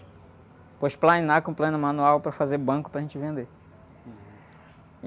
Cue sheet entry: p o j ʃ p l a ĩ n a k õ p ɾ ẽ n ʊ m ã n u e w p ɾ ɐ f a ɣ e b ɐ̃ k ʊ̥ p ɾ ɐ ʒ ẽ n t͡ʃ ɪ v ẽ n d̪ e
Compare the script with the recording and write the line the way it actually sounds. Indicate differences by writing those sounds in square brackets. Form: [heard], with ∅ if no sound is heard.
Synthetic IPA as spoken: p o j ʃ p l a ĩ n a k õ p [l] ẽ n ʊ m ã n u [a] w p ɾ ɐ f a [z] e b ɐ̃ k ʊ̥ p ɾ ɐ ʒ ẽ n t͡ʃ ɪ v ẽ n d̪ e